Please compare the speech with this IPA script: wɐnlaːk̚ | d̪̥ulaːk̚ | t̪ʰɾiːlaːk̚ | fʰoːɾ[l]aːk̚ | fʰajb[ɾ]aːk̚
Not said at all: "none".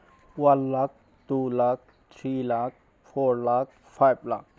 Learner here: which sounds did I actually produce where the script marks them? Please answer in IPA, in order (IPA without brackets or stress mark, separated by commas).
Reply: l, l